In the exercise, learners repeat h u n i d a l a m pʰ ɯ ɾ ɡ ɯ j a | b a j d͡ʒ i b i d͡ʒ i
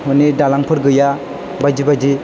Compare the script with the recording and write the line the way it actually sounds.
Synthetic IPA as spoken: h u n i d a l a ŋ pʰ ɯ ɾ ɡ ɯ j a | b a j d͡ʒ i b a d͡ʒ i

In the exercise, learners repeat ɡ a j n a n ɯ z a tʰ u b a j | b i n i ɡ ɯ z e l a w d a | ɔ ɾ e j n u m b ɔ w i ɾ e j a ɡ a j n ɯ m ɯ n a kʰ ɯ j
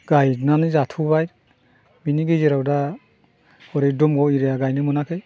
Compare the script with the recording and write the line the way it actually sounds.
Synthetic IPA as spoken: ɡ a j n a n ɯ z a tʰ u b a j | b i n i ɡ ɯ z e ɾ a w d a | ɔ ɾ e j d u m ɡ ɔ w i ɾ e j a ɡ a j n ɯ m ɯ n a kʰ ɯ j

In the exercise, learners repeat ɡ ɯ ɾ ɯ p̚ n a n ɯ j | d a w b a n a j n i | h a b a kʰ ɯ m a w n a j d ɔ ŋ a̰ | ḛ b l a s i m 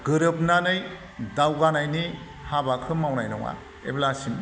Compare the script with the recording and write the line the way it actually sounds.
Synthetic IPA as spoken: ɡ ɯ ɾ ɯ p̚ n a n ɯ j | d a w ɡ a n a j n i | h a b a kʰ ɯ m a w n a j n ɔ ŋ a̰ | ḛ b l a s i m

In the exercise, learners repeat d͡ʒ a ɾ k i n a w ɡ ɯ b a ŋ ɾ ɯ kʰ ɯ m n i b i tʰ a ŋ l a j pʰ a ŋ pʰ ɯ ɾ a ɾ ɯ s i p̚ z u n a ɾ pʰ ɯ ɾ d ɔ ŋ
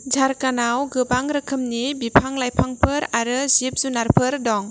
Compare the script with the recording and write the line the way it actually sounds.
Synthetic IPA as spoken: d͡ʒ a ɾ k a n a w ɡ ɯ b a ŋ ɾ ɯ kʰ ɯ m n i b i pʰ a ŋ l a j pʰ a ŋ pʰ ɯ ɾ a ɾ ɯ z i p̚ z u n a ɾ pʰ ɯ ɾ d ɔ ŋ

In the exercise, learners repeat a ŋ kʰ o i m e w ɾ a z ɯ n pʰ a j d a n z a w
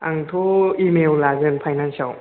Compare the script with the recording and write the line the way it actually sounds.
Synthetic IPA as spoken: a ŋ tʰ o i m e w l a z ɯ n pʰ a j n a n s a w

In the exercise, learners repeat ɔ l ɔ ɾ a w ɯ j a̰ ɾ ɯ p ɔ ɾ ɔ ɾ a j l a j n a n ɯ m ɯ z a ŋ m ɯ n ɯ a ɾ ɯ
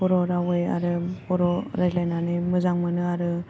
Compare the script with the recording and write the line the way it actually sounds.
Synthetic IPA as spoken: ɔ ɾ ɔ ɾ a w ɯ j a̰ ɾ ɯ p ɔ ɾ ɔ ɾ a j l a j n a n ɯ m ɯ z a ŋ m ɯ n ɯ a ɾ ɯ

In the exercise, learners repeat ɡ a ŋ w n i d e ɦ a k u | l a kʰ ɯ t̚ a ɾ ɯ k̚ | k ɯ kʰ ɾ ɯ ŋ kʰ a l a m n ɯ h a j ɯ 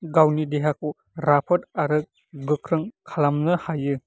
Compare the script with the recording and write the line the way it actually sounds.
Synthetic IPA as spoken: ɡ a w n i d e ɦ a k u | ɾ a pʰ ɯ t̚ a ɾ ɯ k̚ | ɡ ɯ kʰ ɾ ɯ ŋ kʰ a l a m n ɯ h a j ɯ

